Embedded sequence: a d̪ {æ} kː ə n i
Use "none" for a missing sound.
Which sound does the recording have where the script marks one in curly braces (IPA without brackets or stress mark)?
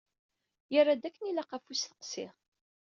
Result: æ